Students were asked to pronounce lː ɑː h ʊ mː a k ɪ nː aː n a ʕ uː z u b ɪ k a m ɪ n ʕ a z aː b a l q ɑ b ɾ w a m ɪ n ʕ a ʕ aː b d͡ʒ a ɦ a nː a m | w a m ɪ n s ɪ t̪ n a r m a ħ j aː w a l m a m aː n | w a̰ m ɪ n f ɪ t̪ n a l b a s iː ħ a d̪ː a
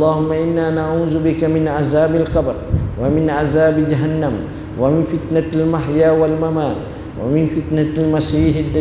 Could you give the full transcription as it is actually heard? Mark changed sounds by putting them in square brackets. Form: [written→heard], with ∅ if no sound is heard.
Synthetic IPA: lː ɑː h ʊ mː a [k→ʔ] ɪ nː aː n a ʕ uː z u b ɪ k a m ɪ n ʕ a z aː b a l q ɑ b ɾ w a m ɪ n ʕ a [ʕ→z] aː b d͡ʒ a ɦ a nː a m | w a m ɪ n [s→f] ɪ t̪ n a [r→l] m a ħ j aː w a l m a m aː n | w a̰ m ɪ n f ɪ t̪ n a l [b→m] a s iː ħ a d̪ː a